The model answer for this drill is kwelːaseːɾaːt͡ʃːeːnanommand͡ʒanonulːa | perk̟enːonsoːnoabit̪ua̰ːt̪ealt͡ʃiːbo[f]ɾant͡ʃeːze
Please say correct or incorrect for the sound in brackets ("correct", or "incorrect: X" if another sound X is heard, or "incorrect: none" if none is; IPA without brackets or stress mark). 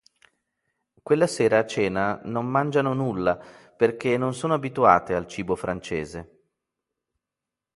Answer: correct